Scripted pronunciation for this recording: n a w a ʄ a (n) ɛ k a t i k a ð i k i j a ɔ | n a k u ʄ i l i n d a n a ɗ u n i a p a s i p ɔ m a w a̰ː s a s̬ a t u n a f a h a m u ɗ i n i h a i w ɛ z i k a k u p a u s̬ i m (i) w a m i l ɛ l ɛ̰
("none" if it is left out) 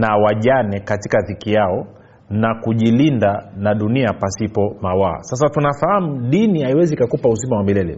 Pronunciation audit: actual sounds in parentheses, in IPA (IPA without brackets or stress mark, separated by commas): n, a